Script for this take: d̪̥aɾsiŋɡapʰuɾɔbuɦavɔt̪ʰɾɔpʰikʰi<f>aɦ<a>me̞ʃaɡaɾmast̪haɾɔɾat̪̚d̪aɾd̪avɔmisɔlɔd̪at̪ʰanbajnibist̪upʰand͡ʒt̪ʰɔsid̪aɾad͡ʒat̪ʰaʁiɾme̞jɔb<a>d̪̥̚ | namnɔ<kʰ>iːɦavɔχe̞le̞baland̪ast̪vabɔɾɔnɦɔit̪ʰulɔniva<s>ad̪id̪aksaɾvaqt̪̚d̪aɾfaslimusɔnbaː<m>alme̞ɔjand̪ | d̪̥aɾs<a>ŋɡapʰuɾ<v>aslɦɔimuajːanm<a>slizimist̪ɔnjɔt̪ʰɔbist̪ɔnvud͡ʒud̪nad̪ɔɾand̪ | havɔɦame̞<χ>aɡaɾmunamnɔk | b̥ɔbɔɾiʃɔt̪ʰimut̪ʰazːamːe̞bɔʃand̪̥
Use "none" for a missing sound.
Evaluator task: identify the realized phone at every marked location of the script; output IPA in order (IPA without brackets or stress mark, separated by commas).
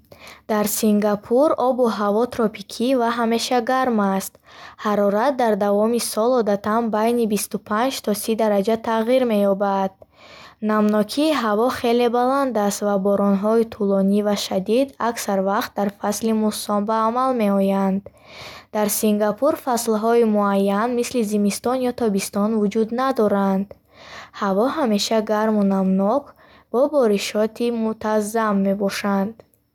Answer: v, a, a, kʰ, ʃ, m, i, f, i, ʃ